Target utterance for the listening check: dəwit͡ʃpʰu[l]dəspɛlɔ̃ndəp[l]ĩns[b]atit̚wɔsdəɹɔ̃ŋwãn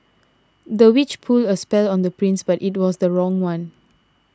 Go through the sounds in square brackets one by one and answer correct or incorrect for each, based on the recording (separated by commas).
correct, incorrect, correct